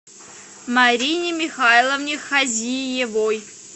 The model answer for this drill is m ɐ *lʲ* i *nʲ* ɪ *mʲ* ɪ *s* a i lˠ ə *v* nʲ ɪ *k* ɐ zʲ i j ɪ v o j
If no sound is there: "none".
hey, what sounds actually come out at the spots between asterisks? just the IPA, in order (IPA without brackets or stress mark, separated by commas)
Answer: ɾʲ, nʲ, mʲ, x, v, x